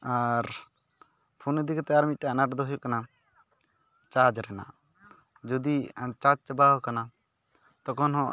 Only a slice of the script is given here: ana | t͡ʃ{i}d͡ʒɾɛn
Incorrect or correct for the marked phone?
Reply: incorrect: a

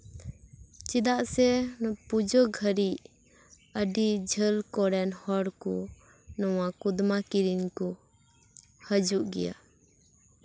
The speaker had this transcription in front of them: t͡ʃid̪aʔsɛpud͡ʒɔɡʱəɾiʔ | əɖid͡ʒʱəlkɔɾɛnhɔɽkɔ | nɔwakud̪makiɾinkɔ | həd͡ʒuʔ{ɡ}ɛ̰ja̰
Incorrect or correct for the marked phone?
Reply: correct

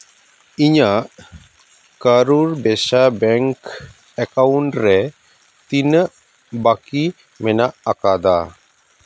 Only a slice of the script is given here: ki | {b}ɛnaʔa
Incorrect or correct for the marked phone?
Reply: incorrect: m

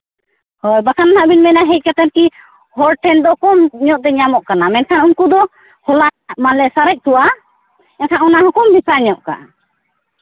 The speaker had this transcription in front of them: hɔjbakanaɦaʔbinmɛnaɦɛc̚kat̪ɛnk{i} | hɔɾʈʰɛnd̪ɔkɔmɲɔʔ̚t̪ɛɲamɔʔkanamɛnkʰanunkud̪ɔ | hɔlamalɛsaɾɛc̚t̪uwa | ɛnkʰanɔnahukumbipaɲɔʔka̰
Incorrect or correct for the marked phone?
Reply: correct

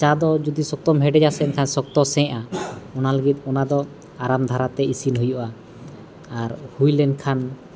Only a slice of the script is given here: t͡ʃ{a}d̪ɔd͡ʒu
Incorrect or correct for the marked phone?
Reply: correct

